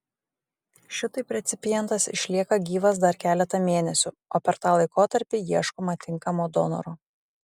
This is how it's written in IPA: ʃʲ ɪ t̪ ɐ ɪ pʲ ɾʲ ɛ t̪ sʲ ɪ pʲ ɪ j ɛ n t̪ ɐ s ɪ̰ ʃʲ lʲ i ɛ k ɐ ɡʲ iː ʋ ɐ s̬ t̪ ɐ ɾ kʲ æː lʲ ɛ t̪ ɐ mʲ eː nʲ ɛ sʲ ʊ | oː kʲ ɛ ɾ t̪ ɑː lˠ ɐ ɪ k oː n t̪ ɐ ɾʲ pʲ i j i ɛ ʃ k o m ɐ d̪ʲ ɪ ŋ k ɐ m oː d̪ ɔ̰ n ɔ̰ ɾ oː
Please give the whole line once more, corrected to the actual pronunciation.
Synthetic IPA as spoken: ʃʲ ɪ t̪ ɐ ɪ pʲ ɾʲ ɛ t̪ sʲ ɪ pʲ ɪ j ɛ n t̪ ɐ s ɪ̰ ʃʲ lʲ i ɛ k ɐ ɡʲ iː ʋ ɐ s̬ d̪ ɐ ɾ kʲ æː lʲ ɛ t̪ ɐ mʲ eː nʲ ɛ sʲ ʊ | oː pʲ ɛ ɾ t̪ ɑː lˠ ɐ ɪ k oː t̪ ɐ ɾʲ pʲ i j i ɛ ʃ k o m ɐ t̪ʲ ɪ ŋ k ɐ m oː d̪ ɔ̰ n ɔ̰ ɾ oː

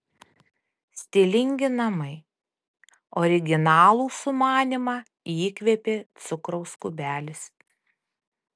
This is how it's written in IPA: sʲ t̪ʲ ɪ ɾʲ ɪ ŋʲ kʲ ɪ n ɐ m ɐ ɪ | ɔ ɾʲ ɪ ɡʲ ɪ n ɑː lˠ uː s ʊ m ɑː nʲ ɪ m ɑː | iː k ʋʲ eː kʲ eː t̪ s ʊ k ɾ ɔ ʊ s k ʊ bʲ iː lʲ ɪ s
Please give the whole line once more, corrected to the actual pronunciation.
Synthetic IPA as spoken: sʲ t̪ʲ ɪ lʲ ɪ ŋʲ ɡʲ ɪ n ɐ m ɐ ɪ | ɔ ɾʲ ɪ ɡʲ ɪ n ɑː lˠ uː s ʊ m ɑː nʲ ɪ m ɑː | iː k ʋʲ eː pʲ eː t̪ s ʊ k ɾ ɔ ʊ s k ʊ bʲ æː lʲ ɪ s

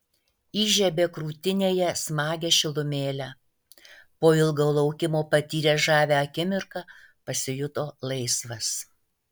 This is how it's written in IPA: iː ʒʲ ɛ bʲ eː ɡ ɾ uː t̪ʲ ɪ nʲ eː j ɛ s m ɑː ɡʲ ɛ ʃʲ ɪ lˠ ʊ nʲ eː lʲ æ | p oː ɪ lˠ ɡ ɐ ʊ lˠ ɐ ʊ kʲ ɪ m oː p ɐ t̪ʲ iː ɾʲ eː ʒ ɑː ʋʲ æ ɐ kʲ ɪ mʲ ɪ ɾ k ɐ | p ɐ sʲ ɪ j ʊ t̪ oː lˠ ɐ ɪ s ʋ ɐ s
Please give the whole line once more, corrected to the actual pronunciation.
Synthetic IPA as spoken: iː ʒʲ ɛ bʲ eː k ɾ uː t̪ʲ ɪ nʲ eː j ɛ s m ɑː ɡʲ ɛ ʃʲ ɪ lˠ ʊ mʲ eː lʲ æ | p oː ɪ lˠ ɡ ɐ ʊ lˠ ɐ ʊ kʲ ɪ m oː p ɐ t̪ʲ iː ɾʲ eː ʒ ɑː ʋʲ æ ɐ kʲ ɪ mʲ ɪ ɾ k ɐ | p ɐ sʲ ɪ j ʊ t̪ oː lˠ ɐ ɪ s ʋ ɐ s

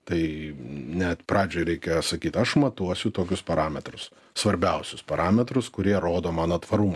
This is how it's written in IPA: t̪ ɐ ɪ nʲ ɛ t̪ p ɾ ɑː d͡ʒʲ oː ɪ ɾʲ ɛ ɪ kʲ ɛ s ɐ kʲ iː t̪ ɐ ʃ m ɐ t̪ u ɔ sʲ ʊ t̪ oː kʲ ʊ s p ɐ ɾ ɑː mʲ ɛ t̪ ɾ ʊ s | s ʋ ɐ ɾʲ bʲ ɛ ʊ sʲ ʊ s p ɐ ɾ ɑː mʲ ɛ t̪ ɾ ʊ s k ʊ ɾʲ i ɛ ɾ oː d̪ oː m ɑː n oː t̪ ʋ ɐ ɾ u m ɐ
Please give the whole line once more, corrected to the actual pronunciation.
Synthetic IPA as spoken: t̪ ɐ ɪ nʲ ɛ t̪ p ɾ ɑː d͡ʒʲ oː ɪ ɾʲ ɛ ɪ kʲ ɛ s ɐ kʲ iː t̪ ɐ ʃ m ɐ t̪ u ɔ sʲ ʊ t̪ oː kʲ ʊ s p ɐ ɾ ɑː mʲ ɛ t̪ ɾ ʊ s | s ʋ ɐ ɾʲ bʲ ɛ ʊ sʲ ʊ s p ɐ ɾ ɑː mʲ ɛ t̪ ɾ ʊ s k ʊ ɾʲ i ɛ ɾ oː d̪ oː m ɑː n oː t̪ ʋ ɐ ɾ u m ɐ

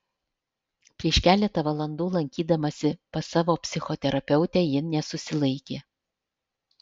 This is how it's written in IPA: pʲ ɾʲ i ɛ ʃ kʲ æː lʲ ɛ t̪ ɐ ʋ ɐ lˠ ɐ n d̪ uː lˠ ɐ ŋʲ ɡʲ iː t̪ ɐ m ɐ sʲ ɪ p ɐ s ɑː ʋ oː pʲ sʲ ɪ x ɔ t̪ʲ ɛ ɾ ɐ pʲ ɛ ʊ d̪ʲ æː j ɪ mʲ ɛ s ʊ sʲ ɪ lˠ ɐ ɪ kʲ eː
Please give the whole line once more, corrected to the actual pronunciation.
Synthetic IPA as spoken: pʲ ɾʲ i ɛ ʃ kʲ æː lʲ ɛ t̪ ɐ ʋ ɐ lˠ ɐ n d̪ uː lˠ ɐ ŋʲ kʲ iː d̪ ɐ m ɐ sʲ ɪ p ɐ s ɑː ʋ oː pʲ sʲ ɪ x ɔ t̪ʲ ɛ ɾ ɐ pʲ ɛ ʊ t̪ʲ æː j ɪ nʲ ɛ s ʊ sʲ ɪ lˠ ɐ ɪ kʲ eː

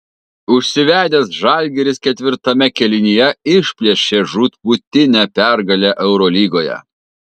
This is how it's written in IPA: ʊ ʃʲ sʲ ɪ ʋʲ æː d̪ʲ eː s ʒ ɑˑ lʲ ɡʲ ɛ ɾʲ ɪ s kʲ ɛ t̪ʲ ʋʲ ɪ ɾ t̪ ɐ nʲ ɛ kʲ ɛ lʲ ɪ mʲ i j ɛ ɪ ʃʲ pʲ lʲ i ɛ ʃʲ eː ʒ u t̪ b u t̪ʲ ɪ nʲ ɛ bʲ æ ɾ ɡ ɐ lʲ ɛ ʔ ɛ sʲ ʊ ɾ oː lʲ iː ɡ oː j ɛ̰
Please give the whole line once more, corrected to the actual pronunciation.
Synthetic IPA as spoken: ʊ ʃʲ sʲ ɪ ʋʲ æː d̪ʲ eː s ʒ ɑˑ lʲ ɡʲ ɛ ɾʲ ɪ s kʲ ɛ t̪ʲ ʋʲ ɪ ɾ t̪ ɐ mʲ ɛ kʲ ɛ lʲ ɪ nʲ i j ɛ ɪ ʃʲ pʲ lʲ i ɛ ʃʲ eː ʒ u t̪ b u t̪ʲ ɪ nʲ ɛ pʲ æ ɾ ɡ ɐ lʲ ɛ ʔ ɛ ʊ ɾ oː lʲ iː ɡ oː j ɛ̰

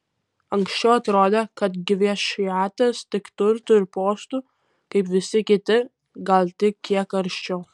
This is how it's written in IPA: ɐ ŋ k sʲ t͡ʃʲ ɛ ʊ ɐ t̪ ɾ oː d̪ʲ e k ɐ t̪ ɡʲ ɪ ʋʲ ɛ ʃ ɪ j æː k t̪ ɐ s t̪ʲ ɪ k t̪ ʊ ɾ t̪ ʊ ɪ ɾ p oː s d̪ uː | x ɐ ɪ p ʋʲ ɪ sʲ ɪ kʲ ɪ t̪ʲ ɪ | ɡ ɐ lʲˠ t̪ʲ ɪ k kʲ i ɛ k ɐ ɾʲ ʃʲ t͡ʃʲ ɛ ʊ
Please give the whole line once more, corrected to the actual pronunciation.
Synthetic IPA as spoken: ɐ ŋ k sʲ t͡ʃʲ ɛ ʊ ɐ t̪ ɾ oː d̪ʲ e k ɐ t̪ ɡʲ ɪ ʋʲ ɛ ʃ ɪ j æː t̪ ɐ s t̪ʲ ɪ k t̪ ʊ ɾ t̪ ʊ ɪ ɾ p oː s t̪ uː | k ɐ ɪ p ʋʲ ɪ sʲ ɪ kʲ ɪ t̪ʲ ɪ | ɡ ɐ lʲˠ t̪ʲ ɪ k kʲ i ɛ k ɐ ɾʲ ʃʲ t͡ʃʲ ɛ ʊ

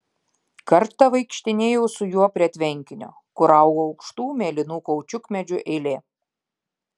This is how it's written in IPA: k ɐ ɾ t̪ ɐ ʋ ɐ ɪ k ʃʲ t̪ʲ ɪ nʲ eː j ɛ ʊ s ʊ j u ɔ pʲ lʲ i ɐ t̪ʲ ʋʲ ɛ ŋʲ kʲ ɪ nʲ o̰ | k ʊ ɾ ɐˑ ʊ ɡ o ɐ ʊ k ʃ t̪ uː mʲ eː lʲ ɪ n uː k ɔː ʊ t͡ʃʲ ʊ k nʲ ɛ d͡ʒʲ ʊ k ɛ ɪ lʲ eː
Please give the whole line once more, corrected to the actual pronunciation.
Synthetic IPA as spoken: k ɐ ɾ t̪ ɐ ʋ ɐ ɪ k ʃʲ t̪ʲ ɪ nʲ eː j ɛ ʊ s ʊ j u ɔ pʲ ɾʲ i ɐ t̪ʲ ʋʲ ɛ ŋʲ kʲ ɪ nʲ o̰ | k ʊ ɾ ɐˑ ʊ ɡ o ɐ ʊ k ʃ t̪ uː mʲ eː lʲ ɪ n uː k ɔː ʊ t͡ʃʲ ʊ k mʲ ɛ d͡ʒʲ ʊ ʔ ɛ ɪ lʲ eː

